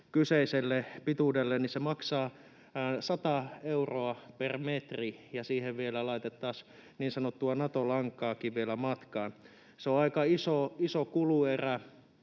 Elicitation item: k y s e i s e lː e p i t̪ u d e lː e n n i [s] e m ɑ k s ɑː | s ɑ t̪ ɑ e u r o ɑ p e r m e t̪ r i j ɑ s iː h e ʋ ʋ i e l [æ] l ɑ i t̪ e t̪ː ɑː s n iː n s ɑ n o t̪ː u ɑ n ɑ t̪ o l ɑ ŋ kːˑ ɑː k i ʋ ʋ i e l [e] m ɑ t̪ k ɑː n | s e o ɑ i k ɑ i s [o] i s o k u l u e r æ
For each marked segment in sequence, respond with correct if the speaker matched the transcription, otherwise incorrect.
correct, correct, incorrect: æ, correct

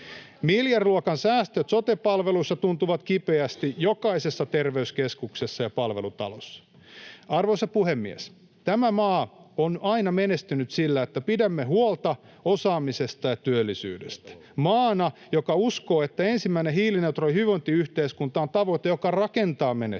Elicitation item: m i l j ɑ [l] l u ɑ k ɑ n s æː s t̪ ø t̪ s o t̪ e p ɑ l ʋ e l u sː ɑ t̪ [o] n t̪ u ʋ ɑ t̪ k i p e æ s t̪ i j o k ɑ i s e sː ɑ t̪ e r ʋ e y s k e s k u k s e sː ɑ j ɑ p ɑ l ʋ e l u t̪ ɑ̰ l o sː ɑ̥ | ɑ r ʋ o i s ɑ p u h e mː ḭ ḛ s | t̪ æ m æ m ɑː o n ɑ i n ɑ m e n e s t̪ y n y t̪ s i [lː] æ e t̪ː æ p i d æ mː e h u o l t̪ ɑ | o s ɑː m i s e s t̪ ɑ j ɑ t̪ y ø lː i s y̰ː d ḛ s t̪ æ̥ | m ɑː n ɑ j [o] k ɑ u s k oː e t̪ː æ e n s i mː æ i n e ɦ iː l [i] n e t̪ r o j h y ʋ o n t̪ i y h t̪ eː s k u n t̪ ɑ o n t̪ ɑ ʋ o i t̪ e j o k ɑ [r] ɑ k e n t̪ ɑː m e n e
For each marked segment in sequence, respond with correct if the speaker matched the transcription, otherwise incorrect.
incorrect: r, incorrect: u, correct, correct, correct, correct

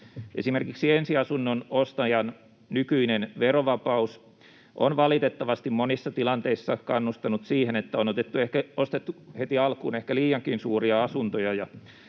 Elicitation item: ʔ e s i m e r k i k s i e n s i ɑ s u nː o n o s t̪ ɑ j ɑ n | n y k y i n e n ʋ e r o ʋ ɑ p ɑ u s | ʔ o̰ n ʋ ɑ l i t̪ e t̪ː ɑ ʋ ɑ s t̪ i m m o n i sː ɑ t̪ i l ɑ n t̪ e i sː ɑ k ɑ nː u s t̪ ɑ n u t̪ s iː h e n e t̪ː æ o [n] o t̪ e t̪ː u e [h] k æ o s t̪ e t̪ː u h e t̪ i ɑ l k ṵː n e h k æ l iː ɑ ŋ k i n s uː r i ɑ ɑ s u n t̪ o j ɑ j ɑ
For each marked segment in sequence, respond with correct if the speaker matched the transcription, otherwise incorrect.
correct, correct

